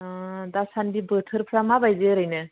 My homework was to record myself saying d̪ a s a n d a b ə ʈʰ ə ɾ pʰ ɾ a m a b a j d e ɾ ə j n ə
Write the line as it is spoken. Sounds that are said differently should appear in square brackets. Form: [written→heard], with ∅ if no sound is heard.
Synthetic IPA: d̪ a s a n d [a→i] b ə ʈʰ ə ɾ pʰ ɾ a m a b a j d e ɾ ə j n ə